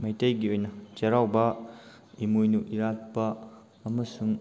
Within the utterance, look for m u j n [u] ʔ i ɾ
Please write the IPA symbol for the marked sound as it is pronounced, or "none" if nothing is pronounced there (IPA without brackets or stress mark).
u